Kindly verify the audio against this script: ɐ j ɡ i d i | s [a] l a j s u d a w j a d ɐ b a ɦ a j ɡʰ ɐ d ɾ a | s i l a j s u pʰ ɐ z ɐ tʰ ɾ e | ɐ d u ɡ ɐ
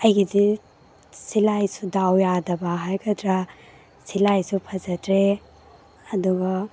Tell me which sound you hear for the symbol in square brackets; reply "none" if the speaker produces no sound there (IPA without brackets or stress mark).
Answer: i